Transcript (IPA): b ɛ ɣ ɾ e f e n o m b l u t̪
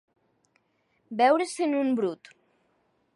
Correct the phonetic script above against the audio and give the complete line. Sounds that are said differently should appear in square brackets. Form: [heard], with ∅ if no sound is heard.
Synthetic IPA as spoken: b ɛ [w] ɾ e [s] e n [u] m b [ɾ] u t̪